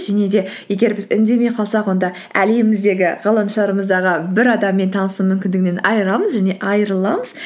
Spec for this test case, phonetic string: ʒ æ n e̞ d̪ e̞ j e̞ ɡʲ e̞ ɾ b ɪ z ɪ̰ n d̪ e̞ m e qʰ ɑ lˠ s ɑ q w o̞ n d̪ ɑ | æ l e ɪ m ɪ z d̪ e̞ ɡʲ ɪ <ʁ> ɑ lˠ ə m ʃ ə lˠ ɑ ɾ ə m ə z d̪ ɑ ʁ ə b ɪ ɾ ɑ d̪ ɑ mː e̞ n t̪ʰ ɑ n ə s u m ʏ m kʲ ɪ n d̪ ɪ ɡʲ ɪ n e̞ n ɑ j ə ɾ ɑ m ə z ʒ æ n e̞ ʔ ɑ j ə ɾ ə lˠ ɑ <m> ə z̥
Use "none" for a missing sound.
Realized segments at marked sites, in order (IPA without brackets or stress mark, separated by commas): ʁ, m